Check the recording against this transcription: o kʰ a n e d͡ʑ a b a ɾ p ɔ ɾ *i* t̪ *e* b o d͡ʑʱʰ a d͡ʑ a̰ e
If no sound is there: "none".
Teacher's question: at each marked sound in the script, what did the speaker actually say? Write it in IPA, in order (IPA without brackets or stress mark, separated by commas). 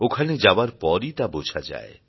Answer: i, a